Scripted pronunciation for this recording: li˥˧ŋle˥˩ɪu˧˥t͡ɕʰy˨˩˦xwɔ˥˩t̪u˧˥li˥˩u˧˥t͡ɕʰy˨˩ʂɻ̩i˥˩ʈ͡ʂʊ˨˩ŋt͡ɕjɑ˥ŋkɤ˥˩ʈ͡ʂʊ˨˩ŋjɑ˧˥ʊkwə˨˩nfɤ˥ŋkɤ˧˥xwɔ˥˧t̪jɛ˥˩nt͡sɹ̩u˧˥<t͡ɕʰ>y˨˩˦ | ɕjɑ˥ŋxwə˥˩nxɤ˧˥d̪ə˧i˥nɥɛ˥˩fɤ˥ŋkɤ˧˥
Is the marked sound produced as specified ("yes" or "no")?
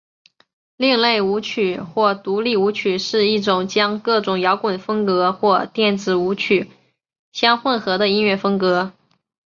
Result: yes